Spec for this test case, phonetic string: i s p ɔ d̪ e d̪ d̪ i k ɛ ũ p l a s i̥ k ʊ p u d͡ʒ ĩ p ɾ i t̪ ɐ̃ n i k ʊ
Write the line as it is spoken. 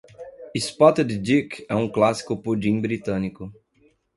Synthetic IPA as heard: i s p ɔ t̪ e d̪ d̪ i k ɛ ũ k l a s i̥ k ʊ p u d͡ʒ ĩ b ɾ i t̪ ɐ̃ n i k ʊ